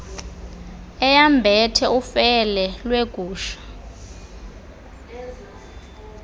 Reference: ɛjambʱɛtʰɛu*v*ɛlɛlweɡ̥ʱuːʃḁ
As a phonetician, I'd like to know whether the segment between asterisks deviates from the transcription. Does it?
yes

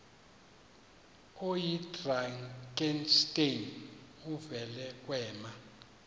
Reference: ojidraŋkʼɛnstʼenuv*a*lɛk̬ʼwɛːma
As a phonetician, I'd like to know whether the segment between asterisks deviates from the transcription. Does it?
yes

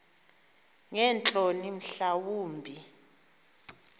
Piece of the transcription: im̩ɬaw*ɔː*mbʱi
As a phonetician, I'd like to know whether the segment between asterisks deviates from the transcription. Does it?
yes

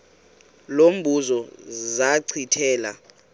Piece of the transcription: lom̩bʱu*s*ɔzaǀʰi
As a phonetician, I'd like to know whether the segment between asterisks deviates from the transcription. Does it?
yes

